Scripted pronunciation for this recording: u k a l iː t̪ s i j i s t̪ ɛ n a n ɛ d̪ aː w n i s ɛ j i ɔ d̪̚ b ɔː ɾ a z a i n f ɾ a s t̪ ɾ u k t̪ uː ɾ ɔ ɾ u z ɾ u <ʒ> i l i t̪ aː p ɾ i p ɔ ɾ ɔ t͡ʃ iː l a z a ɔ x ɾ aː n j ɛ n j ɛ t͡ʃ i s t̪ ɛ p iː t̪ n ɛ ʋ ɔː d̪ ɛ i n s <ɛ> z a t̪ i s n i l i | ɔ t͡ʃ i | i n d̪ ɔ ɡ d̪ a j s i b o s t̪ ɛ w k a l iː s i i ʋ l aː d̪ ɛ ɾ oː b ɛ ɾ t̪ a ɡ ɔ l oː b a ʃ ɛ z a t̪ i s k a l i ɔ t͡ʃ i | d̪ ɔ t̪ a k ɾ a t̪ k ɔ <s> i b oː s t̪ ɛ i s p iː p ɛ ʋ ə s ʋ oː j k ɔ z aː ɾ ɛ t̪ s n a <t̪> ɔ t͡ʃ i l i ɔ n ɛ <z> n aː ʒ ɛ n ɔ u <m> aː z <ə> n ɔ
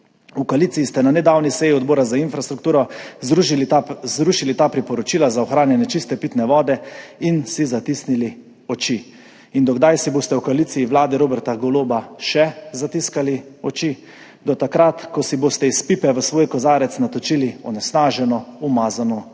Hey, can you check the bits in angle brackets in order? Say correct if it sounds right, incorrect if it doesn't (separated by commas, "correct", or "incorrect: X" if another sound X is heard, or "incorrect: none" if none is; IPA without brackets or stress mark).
incorrect: ʃ, incorrect: i, correct, correct, incorrect: s, correct, incorrect: a